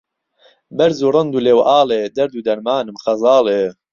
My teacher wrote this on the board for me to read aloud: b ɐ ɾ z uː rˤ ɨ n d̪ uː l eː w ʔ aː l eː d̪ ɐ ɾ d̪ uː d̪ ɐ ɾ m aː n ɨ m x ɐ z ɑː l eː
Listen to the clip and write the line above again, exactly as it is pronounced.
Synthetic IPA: b ɐ ɾ z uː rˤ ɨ n d̪ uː l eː w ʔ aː l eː d̪ ɐ ɾ d̪ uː d̪ ɐ ɾ m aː n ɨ m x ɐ z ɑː l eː